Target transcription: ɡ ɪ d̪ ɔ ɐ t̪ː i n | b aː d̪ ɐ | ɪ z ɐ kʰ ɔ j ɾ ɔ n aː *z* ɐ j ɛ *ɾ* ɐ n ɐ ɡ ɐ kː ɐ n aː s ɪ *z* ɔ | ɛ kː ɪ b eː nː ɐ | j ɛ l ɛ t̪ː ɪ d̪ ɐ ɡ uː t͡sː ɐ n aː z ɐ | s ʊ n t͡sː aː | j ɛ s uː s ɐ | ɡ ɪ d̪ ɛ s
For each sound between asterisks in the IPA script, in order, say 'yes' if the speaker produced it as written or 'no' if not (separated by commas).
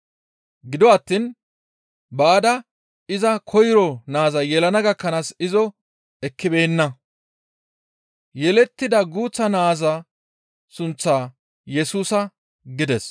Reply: yes, no, yes